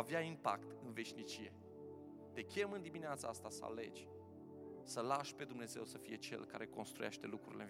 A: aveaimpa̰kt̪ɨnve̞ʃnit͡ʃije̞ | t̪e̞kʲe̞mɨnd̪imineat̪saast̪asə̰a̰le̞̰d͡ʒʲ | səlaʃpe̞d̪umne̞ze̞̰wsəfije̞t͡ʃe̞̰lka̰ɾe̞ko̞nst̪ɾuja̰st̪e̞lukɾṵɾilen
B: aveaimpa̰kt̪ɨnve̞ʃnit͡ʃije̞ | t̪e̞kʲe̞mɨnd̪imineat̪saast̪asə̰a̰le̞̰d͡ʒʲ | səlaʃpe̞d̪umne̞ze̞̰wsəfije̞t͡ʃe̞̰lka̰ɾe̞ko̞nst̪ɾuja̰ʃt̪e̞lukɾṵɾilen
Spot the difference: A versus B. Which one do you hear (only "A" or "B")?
B